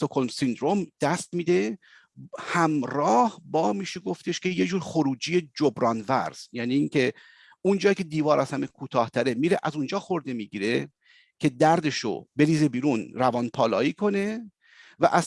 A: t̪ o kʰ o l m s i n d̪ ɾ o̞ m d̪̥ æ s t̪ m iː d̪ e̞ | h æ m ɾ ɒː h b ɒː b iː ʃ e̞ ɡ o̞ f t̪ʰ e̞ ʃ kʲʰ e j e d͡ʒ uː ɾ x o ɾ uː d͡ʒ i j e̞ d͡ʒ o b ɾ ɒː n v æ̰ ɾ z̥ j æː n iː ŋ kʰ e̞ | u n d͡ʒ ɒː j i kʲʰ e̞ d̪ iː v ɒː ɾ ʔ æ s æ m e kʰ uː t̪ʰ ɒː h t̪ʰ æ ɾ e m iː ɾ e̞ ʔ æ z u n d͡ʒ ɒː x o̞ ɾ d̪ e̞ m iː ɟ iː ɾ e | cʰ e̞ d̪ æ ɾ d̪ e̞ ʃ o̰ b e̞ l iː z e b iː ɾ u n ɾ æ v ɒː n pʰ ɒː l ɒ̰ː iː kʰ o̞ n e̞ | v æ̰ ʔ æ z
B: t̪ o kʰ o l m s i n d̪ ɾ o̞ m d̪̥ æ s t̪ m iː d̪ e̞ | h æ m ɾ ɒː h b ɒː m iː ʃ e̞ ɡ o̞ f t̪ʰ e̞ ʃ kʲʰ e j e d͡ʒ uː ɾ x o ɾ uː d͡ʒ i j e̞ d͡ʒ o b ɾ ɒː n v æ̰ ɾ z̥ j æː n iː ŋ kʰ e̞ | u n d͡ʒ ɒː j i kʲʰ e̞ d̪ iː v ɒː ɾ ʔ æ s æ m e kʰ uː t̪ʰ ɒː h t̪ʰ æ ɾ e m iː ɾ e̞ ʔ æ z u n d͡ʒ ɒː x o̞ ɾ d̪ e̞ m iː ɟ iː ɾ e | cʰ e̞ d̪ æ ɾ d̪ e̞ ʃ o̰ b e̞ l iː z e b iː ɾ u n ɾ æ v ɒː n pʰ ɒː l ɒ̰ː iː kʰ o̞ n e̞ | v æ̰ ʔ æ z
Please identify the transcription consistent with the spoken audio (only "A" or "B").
B